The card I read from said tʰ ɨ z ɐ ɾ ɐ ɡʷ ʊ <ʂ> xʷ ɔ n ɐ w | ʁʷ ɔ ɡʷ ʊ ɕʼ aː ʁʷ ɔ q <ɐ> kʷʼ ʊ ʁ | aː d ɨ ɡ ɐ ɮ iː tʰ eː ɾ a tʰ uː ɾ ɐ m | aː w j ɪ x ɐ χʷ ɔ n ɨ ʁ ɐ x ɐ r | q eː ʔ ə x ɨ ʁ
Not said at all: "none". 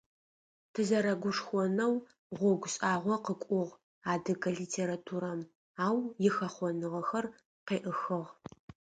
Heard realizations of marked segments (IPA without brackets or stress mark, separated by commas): ʂ, ə